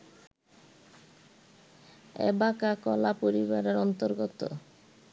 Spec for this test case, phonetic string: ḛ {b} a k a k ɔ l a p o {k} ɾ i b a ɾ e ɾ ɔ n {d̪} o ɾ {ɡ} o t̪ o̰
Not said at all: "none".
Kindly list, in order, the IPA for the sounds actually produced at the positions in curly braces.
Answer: b, none, t̪, ɡ

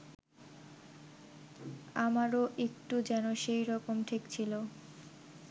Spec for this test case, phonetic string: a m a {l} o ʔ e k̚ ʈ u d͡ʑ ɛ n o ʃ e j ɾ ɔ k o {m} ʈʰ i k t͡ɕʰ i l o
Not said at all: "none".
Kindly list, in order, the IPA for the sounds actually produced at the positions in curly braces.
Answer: ɾ, m

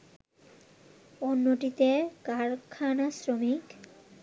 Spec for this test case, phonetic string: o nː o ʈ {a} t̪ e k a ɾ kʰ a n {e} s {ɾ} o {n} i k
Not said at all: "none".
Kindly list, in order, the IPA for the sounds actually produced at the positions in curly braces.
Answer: i, a, ɾ, m

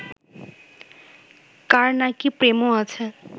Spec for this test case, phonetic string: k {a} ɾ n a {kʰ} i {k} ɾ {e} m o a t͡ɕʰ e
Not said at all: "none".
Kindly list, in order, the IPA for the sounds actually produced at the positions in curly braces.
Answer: a, k, p, e

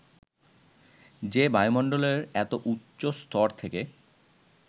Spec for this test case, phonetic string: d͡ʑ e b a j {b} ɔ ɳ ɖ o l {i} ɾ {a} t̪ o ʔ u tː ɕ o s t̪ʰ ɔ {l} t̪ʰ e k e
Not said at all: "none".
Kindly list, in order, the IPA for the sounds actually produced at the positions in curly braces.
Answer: m, e, ɛ, ɾ

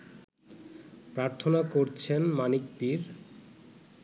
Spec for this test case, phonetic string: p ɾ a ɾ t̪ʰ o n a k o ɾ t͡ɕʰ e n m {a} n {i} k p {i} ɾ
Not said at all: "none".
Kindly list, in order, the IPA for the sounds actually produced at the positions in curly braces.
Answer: a, i, i

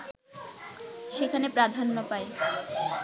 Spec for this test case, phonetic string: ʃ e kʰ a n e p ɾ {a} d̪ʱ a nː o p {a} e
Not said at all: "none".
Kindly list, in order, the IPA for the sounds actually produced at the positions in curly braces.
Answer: a, a

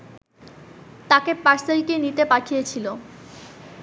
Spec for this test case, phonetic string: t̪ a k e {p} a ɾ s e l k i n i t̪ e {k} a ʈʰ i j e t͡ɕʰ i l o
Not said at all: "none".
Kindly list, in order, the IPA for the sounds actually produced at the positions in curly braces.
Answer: p, p

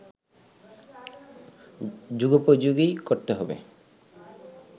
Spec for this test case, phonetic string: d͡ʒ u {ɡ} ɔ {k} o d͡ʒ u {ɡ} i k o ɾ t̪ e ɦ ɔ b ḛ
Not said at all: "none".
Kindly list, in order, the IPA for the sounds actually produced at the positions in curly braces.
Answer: ɡ, p, ɡ

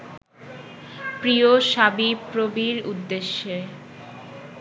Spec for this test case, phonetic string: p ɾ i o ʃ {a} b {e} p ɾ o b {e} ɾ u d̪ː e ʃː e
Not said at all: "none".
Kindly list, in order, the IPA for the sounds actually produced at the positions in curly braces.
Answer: a, i, i

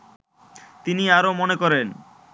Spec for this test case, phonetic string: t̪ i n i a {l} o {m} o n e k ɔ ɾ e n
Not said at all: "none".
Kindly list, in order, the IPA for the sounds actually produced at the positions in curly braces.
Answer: ɾ, m

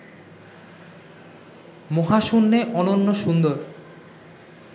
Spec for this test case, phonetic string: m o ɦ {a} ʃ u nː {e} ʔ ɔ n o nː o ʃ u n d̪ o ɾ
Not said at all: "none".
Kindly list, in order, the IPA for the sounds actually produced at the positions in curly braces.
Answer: a, e

